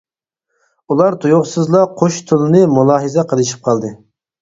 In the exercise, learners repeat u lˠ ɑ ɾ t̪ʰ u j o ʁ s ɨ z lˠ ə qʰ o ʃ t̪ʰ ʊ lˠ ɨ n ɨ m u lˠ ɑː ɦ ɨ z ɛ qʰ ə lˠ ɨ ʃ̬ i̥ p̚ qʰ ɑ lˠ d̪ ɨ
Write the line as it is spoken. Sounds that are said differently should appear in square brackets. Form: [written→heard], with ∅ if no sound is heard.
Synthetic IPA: u lˠ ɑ ɾ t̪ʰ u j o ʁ s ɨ z lˠ [ə→ɑ] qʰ o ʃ t̪ʰ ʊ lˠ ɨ n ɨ m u lˠ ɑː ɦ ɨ z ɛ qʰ ə lˠ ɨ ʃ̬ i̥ p̚ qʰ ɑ lˠ d̪ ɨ